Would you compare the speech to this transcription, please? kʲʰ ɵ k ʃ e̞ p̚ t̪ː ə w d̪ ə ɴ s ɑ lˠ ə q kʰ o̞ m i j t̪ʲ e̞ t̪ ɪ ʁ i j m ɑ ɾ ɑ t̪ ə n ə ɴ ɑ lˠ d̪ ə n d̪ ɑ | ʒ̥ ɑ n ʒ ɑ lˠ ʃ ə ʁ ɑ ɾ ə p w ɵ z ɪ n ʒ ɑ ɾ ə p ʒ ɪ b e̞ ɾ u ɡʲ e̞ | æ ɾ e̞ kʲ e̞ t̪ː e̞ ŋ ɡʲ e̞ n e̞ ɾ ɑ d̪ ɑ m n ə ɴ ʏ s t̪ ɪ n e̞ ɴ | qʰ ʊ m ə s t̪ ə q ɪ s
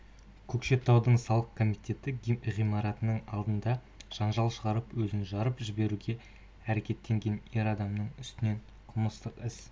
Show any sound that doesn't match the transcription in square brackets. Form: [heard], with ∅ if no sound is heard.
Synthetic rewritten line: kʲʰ ɵ k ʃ e̞ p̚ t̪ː [ɑ] w d̪ ə ɴ s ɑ lˠ ə q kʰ o̞ m i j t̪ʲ e̞ t̪ ɪ ʁ i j m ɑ ɾ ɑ t̪ ə n ə ɴ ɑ lˠ d̪ ə n d̪ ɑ | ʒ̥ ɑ n ʒ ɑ lˠ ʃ ə ʁ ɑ ɾ ə p w ɵ z ɪ n ʒ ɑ ɾ ə p ʒ ɪ b e̞ ɾ u ɡʲ e̞ | æ ɾ e̞ kʲ e̞ t̪ː e̞ ŋ ɡʲ e̞ n e̞ ɾ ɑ d̪ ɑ m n ə ɴ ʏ s t̪ ɪ n e̞ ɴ | qʰ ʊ m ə s t̪ ə q ɪ s